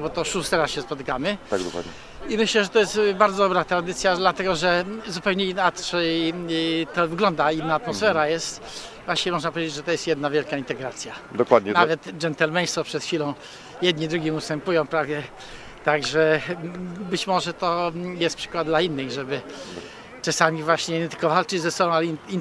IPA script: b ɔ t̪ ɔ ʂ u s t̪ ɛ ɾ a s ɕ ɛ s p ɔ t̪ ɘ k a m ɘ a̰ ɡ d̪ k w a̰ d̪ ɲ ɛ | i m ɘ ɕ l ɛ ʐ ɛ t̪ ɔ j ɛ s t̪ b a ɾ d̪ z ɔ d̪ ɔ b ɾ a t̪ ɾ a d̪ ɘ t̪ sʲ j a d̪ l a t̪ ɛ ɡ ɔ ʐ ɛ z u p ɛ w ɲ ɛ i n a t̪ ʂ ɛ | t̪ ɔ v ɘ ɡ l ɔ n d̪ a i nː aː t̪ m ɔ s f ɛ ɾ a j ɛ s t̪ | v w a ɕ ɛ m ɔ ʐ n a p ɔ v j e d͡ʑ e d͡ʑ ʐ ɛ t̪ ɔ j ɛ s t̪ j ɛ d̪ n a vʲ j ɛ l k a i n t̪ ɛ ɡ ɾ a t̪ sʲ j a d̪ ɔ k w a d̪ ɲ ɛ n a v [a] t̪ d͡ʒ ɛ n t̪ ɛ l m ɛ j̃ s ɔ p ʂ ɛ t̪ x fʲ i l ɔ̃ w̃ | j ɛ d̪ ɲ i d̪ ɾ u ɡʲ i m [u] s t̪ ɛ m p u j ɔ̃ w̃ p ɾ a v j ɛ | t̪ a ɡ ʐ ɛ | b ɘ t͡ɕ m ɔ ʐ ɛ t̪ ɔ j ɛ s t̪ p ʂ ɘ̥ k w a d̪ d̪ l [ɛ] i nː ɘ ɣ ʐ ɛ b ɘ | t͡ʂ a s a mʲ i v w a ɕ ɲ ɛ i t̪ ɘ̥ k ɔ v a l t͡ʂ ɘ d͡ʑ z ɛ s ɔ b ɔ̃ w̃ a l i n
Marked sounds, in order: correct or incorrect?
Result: incorrect, correct, incorrect

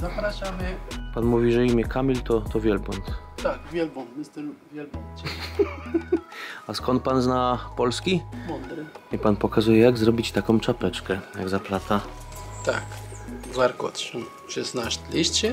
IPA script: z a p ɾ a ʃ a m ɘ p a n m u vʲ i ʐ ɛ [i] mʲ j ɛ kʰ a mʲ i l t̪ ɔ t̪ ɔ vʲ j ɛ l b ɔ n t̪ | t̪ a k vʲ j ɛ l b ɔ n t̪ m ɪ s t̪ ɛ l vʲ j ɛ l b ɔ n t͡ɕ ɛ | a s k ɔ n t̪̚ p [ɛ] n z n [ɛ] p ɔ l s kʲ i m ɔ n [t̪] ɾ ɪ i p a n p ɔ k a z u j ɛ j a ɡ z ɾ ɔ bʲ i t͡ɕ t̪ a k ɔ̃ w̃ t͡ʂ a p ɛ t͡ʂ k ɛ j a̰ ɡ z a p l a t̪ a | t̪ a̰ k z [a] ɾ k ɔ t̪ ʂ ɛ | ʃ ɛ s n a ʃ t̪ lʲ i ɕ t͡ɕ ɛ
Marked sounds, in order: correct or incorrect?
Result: correct, incorrect, incorrect, incorrect, correct

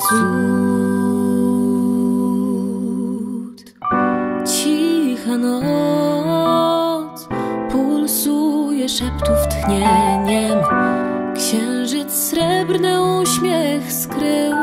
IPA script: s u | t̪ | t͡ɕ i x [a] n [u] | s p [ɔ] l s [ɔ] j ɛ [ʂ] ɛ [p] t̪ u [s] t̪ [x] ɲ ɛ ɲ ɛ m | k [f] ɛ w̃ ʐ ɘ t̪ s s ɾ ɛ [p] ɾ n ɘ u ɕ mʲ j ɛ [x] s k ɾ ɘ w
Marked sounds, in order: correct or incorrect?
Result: correct, incorrect, incorrect, incorrect, correct, correct, incorrect, correct, incorrect, incorrect, correct

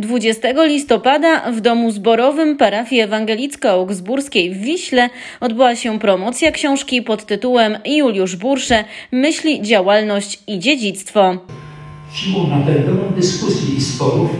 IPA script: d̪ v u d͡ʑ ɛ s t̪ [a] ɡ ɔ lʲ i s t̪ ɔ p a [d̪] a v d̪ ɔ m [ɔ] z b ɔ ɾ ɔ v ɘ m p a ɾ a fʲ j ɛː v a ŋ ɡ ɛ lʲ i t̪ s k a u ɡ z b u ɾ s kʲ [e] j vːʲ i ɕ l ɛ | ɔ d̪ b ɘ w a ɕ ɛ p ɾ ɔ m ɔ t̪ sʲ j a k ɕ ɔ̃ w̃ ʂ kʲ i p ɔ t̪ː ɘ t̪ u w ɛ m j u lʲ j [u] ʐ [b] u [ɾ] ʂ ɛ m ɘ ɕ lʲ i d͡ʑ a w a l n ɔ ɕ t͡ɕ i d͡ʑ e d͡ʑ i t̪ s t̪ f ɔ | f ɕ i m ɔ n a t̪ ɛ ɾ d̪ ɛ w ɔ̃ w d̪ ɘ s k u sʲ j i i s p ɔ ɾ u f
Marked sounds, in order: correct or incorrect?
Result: incorrect, correct, incorrect, correct, correct, correct, correct

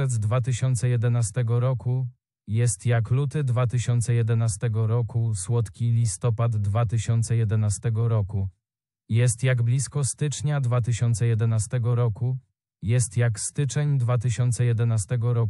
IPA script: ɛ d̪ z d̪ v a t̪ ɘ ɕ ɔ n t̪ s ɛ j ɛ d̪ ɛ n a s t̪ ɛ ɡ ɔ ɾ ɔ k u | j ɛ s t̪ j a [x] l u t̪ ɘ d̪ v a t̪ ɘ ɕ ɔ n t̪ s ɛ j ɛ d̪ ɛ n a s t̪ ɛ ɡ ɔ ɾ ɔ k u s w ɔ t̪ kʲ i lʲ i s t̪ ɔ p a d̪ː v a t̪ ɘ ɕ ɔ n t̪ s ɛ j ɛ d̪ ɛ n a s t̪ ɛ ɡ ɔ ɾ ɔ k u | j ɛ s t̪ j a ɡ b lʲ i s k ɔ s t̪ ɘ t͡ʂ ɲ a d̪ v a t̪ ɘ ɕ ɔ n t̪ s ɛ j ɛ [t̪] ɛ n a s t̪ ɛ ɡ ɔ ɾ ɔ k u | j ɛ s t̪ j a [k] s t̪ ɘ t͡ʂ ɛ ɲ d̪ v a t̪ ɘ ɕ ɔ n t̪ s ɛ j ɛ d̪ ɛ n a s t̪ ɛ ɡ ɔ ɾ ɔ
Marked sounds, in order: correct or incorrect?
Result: incorrect, incorrect, correct

